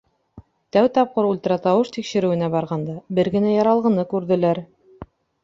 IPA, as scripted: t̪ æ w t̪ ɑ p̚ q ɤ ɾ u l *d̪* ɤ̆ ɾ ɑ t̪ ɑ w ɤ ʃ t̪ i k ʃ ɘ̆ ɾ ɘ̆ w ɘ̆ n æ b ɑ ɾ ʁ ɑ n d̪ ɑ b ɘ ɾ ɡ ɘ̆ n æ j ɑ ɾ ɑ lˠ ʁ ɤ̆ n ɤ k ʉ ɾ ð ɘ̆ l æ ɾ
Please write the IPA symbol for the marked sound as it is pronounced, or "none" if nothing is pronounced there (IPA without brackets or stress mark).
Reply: t̪